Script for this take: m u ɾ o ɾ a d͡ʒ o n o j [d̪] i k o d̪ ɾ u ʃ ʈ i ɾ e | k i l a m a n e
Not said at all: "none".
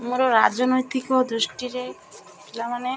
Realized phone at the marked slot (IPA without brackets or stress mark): t̪